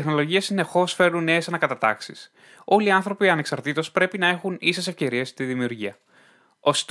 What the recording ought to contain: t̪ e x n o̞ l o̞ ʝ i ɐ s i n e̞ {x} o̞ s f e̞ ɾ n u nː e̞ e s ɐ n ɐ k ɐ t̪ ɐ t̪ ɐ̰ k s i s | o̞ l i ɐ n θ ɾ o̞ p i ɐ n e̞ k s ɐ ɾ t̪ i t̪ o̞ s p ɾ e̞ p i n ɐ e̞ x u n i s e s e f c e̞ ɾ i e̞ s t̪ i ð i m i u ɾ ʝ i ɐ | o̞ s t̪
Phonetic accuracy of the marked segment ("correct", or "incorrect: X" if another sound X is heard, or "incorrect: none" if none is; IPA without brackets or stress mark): correct